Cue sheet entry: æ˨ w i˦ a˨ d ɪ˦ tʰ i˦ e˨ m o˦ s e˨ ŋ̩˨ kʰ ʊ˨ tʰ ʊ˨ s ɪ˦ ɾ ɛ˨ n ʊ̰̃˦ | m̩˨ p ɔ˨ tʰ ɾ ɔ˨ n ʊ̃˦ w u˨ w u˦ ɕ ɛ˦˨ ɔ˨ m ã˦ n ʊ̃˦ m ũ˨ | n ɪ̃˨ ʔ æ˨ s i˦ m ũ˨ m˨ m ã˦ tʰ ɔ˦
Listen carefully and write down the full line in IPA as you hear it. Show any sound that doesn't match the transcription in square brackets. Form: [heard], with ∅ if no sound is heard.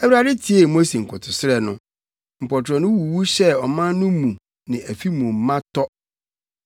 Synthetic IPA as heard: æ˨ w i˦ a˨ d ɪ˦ tʰ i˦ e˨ m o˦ s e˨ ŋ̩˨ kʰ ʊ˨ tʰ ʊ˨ s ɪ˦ ɾ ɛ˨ n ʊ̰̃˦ | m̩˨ p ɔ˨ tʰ ɾ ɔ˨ n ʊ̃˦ w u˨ w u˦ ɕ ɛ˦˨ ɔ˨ m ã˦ n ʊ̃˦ m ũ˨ | n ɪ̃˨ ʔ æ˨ [f] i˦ m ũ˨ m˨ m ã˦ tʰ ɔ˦